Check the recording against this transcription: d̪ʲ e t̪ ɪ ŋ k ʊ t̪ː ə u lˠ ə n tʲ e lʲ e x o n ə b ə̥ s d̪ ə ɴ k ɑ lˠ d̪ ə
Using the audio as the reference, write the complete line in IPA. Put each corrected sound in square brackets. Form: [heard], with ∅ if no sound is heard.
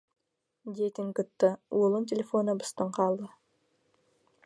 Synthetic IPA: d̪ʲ e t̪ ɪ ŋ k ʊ t̪ː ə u lˠ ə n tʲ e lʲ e [f] o n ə b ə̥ s [t̪] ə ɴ [q] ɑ lˠ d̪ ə